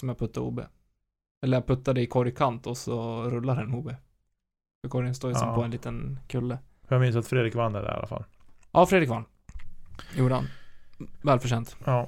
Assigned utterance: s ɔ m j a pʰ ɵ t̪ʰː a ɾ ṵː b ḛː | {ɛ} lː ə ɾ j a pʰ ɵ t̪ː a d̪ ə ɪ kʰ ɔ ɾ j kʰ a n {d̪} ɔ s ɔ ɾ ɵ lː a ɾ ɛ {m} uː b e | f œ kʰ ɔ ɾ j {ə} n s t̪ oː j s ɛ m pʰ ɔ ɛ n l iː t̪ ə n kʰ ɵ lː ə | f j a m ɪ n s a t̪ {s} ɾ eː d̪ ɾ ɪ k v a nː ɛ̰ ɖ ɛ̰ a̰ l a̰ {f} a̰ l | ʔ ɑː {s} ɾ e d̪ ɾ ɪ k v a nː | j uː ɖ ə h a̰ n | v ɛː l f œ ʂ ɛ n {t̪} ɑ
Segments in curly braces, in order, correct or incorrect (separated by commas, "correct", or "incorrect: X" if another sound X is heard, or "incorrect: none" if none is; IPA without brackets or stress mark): correct, incorrect: t̪, incorrect: n, correct, incorrect: f, correct, incorrect: f, correct